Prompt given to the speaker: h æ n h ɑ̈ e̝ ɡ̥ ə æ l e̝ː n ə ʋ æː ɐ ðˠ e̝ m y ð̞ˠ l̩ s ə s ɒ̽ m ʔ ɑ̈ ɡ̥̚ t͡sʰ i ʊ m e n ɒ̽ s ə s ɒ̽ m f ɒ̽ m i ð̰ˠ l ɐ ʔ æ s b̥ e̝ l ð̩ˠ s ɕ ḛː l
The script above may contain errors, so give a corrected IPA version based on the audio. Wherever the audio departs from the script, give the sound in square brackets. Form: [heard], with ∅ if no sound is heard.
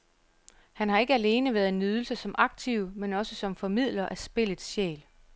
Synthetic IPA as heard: h æ n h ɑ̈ e̝ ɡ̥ ə æ l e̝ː n ə ʋ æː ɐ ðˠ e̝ [n] y ð̞ˠ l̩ s ə s ɒ̽ m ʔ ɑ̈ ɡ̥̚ t͡sʰ i ʊ m e n ɒ̽ s ə s ɒ̽ m f ɒ̽ m i ð̰ˠ l ɐ ʔ æ s b̥ e̝ l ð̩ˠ s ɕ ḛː l